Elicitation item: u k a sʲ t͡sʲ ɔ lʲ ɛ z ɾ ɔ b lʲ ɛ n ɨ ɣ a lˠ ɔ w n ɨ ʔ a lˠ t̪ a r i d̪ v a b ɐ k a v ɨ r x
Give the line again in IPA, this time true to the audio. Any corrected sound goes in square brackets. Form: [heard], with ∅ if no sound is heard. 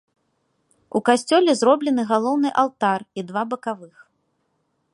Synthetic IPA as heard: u k a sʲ t͡sʲ ɔ lʲ ɛ z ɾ ɔ b lʲ ɛ n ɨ ɣ a lˠ ɔ w n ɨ ʔ a lˠ t̪ a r i d̪ v a b ɐ k a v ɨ [∅] x